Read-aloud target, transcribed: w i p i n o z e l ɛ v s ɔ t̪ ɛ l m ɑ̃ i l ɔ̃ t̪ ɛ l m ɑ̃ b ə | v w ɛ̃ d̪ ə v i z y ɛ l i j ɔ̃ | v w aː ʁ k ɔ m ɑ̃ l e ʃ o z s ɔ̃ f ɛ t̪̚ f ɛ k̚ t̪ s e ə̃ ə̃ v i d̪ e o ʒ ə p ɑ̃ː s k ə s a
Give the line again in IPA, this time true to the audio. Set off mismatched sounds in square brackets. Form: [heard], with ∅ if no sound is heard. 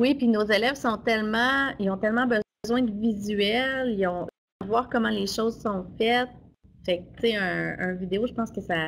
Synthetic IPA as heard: w i p i n o z e l ɛ v s [ɔ̃] t̪ ɛ l m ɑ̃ i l ɔ̃ t̪ ɛ l m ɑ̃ b ə | [z] w ɛ̃ d̪ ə v i z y ɛ l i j ɔ̃ | v w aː ʁ k ɔ m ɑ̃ l e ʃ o z s ɔ̃ f ɛ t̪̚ f ɛ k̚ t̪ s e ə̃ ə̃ v i d̪ e o ʒ ə p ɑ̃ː s k ə s a

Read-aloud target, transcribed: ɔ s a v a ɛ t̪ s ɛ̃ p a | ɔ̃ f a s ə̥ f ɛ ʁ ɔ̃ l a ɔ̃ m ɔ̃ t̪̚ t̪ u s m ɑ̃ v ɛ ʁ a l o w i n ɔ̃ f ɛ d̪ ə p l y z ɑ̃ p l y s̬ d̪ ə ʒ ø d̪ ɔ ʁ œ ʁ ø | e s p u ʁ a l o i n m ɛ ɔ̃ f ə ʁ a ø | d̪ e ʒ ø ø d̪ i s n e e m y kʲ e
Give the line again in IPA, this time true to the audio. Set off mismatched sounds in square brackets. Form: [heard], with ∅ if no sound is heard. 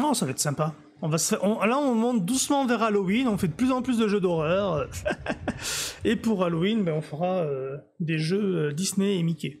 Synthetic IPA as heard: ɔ s a v a ɛ t̪ s ɛ̃ p a | ɔ̃ [v] a s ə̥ f ɛ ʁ ɔ̃ l a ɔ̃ m ɔ̃ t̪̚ [d̪] u s m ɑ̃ v ɛ ʁ a l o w i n ɔ̃ f ɛ d̪ ə p l y z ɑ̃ p l y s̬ d̪ ə ʒ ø d̪ ɔ ʁ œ ʁ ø | e [∅] p u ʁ a l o i n [b] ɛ ɔ̃ f ə ʁ a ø | d̪ e ʒ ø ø d̪ i s n e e m [i] kʲ e

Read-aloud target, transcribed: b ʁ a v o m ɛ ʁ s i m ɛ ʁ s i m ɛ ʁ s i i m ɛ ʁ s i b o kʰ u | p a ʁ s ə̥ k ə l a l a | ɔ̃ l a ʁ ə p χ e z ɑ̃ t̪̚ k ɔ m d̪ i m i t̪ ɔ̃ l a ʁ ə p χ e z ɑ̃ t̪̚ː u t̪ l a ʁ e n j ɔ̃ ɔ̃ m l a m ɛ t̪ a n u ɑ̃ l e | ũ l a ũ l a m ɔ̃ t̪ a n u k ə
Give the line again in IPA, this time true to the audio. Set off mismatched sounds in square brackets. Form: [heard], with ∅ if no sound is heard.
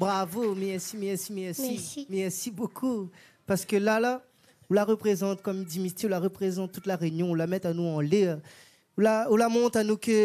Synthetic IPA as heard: b ʁ a v o m ɛ ʁ s i m ɛ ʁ s i m ɛ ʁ s i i m ɛ ʁ s i b o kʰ u | p a ʁ s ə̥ k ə l a l a | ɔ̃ l a ʁ ə p χ e z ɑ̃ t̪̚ k ɔ m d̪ i m i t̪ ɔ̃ l a ʁ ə p χ e z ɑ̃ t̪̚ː u t̪ l a ʁ e n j ɔ̃ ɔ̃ [∅] l a m ɛ t̪ a n u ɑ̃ l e | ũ l a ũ l a m ɔ̃ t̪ a n u k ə

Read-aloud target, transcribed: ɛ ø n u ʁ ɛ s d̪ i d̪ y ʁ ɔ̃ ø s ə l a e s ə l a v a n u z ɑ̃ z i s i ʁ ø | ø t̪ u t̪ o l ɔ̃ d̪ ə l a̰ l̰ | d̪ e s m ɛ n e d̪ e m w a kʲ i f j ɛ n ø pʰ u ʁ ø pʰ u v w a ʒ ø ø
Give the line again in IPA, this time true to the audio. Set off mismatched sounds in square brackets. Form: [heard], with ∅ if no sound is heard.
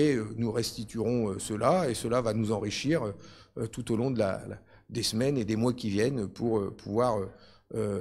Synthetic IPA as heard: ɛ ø n u ʁ ɛ s [t̪] i [t̪] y ʁ ɔ̃ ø s ə l a e s ə l a v a n u z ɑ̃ [ʁ] i [ʃ] i ʁ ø | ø t̪ u t̪ o l ɔ̃ d̪ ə l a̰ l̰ | d̪ e s m ɛ n e d̪ e m w a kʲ i [v] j ɛ n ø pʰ u ʁ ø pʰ u v w a [ʁ] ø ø

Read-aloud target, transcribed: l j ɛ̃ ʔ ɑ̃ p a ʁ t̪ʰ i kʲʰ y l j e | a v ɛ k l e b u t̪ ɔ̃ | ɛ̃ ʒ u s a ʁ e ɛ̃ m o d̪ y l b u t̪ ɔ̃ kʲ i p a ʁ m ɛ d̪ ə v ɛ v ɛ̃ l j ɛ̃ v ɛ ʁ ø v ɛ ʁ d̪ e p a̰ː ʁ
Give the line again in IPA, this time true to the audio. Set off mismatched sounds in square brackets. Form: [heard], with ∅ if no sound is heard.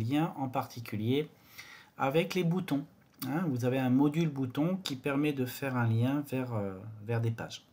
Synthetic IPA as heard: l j ɛ̃ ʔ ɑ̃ p a ʁ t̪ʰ i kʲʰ y l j e | a v ɛ k l e b u t̪ ɔ̃ | ɛ̃ [v] u [z] a [v] e ɛ̃ m [ɔ] d̪ y l b u t̪ ɔ̃ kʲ i p [ɛ] ʁ m ɛ d̪ ə [f] ɛ [ʁ] ɛ̃ l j ɛ̃ v ɛ ʁ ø v ɛ ʁ d̪ e p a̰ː [ʒ]

